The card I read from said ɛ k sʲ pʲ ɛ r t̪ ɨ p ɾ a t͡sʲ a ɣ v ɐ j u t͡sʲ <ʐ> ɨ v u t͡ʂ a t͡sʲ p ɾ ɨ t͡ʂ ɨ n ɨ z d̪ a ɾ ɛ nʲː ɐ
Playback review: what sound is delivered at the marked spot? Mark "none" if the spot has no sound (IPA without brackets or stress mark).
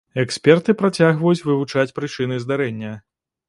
v